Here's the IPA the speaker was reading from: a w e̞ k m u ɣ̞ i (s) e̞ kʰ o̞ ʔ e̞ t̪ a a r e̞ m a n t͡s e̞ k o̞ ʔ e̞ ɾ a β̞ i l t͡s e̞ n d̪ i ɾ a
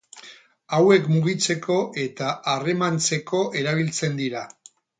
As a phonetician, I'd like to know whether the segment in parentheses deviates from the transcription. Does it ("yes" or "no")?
yes